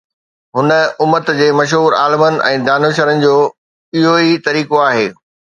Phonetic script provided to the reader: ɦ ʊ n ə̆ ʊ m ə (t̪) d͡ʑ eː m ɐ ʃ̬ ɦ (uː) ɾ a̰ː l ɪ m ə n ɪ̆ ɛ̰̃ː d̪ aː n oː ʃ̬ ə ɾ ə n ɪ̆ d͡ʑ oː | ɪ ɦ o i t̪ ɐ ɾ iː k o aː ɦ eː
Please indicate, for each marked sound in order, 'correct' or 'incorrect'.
correct, correct

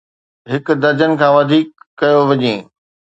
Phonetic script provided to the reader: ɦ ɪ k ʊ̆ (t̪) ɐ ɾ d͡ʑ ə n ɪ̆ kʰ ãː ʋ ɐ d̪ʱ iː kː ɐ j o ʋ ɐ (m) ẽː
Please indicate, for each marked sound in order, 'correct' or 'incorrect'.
incorrect: d̪, incorrect: ɲ

